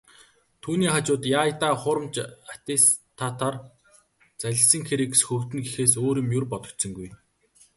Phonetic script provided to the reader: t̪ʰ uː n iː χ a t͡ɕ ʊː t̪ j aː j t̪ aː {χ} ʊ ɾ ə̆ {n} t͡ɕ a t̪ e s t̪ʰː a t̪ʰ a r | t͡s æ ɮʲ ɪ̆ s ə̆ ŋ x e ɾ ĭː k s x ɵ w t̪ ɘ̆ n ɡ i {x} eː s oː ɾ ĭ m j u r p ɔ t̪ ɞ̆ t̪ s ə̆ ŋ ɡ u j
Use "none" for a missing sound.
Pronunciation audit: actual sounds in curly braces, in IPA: χ, m, x

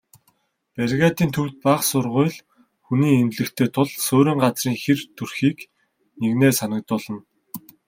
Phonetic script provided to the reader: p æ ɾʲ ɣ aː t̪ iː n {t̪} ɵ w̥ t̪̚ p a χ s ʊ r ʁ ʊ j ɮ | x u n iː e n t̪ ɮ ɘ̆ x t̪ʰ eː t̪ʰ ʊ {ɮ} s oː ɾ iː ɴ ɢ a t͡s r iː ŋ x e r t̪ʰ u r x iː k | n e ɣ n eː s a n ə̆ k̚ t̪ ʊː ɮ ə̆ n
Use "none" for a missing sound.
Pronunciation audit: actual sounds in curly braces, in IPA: t̪ʰ, ɮ

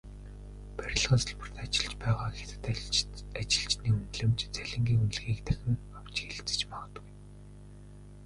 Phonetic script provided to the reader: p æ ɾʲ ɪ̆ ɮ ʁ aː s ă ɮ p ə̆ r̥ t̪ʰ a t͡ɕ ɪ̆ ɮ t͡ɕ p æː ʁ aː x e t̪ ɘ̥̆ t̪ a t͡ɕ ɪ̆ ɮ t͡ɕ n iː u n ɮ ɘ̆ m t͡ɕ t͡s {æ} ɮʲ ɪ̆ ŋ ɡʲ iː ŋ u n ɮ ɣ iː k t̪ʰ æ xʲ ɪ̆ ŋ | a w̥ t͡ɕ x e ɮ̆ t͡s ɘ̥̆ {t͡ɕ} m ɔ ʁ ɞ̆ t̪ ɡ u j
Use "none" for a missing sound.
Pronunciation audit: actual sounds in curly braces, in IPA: æ, t͡ɕ

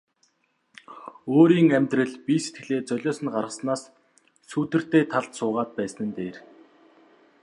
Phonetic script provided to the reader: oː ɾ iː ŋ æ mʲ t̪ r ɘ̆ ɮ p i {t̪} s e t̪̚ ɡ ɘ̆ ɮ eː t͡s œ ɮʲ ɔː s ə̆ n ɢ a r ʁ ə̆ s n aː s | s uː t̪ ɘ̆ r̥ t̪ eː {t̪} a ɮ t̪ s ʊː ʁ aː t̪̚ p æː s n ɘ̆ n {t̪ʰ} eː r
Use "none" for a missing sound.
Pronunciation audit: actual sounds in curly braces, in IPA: none, t̪ʰ, t̪

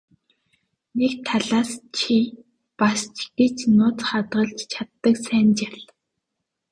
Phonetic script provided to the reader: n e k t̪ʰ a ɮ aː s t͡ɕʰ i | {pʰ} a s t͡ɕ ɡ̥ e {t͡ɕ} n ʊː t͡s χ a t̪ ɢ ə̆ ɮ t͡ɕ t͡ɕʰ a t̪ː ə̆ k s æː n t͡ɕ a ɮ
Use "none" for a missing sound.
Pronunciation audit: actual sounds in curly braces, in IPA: p, t͡ɕ

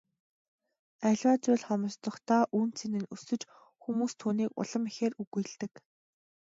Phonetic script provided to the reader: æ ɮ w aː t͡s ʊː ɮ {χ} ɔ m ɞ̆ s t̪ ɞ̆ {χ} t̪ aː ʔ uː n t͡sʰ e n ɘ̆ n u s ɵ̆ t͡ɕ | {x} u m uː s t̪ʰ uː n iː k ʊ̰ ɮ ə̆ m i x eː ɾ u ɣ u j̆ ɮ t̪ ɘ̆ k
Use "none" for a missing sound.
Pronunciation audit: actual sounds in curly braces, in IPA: χ, χ, x

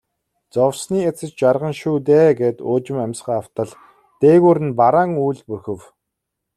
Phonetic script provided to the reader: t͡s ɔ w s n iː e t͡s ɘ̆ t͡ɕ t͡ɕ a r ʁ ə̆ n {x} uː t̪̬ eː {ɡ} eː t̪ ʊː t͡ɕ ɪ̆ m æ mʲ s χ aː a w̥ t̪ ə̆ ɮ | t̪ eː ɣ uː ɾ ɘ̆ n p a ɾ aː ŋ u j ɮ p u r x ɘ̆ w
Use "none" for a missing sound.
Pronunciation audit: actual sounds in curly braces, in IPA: ʃ, ɡ

